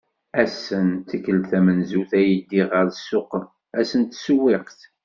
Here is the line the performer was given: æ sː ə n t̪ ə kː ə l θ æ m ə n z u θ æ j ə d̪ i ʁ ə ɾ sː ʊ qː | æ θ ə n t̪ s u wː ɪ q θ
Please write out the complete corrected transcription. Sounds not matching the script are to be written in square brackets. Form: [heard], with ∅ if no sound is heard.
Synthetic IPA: æ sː ə n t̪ ə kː ə l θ æ m ə n z u θ æ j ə d̪ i ʁ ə ɾ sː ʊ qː | æ [s] ə n t̪ s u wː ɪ q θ